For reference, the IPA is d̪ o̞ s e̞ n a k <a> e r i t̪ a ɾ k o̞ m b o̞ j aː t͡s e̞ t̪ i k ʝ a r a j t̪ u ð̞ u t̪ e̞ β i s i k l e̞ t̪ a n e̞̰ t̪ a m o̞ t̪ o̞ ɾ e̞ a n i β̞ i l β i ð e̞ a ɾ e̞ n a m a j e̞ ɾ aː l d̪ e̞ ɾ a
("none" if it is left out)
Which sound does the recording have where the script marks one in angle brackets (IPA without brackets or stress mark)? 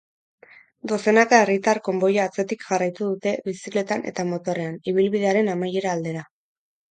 a